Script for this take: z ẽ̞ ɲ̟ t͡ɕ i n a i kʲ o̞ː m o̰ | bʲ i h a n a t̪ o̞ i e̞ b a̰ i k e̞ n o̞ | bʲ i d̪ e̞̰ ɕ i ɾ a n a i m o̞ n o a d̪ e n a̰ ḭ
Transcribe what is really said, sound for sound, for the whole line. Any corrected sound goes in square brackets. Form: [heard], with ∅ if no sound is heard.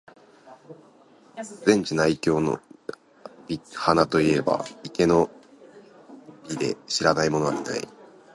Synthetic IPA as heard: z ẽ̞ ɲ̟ t͡ɕ i n a i kʲ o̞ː [n] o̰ | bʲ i h a n a t̪ o̞ i e̞ b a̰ i k e̞ n o̞ | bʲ i d̪ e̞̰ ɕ i ɾ a n a i m o̞ n o a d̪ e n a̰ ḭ